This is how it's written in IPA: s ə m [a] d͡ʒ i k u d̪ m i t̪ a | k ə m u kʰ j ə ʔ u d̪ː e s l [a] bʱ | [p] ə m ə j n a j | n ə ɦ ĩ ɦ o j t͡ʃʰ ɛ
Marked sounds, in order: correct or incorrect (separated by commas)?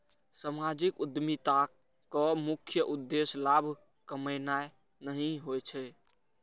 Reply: correct, correct, incorrect